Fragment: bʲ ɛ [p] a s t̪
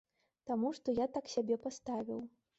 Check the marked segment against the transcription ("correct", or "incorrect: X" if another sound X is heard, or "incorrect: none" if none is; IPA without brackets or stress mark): correct